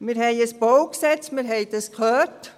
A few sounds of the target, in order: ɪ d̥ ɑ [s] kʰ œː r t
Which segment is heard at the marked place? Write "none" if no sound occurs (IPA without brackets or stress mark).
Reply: s